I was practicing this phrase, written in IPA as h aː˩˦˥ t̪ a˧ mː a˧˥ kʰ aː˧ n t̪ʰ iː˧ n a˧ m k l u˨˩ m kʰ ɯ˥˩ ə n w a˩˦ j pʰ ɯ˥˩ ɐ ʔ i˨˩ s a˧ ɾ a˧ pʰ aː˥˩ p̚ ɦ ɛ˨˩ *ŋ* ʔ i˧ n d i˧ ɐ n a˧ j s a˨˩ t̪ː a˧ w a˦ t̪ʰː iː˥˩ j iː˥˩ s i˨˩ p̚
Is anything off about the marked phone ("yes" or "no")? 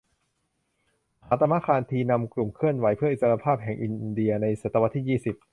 no